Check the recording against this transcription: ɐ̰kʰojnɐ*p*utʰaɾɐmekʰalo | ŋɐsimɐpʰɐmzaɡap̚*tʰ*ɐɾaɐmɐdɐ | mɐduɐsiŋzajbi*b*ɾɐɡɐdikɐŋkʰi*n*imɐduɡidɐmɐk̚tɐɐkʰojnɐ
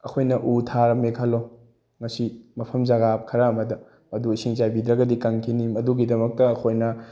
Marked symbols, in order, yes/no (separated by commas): no, no, no, yes